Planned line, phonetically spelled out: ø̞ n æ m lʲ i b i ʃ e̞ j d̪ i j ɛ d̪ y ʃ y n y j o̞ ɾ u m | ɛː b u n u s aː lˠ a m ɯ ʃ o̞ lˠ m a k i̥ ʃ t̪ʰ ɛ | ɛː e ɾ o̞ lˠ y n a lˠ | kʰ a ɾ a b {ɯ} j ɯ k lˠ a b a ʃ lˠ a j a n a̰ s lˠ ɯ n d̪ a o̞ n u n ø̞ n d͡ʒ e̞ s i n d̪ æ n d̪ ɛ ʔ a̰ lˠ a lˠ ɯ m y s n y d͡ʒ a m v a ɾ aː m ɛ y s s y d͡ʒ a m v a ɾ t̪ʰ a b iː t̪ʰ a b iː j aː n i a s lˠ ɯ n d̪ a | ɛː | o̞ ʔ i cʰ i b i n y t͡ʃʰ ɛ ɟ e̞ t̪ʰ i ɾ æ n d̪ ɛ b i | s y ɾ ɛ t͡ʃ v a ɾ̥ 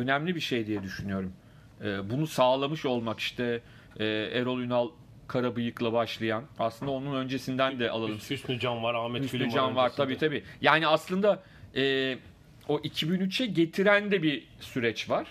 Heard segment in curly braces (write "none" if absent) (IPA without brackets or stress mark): ɯ